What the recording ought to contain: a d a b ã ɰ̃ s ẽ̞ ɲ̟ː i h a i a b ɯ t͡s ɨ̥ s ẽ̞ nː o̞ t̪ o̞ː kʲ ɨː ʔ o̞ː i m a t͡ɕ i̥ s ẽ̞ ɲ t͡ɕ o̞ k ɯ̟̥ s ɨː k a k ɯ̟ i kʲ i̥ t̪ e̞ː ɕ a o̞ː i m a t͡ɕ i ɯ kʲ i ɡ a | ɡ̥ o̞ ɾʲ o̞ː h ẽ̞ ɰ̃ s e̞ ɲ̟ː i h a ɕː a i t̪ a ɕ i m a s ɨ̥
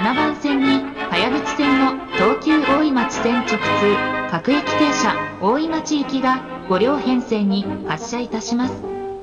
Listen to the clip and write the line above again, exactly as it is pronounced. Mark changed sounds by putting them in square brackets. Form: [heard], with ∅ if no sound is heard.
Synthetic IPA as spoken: a [n] a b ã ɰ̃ s ẽ̞ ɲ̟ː i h a [j] a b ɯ t͡s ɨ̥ s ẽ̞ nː o̞ t̪ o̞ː kʲ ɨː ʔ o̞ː i m a t͡ɕ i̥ s ẽ̞ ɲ t͡ɕ o̞ k ɯ̟̥ [t͡s] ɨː k a k ɯ̟ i kʲ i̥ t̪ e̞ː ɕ a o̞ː i m a t͡ɕ i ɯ kʲ i ɡ a | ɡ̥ o̞ ɾʲ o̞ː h ẽ̞ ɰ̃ s e̞ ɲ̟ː i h a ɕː a i t̪ a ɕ i m a s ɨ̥